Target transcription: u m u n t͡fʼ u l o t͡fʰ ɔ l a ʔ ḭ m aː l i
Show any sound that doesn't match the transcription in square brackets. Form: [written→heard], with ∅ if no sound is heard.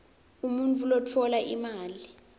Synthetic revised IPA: u m u n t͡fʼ u l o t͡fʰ ɔ l a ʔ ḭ m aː l i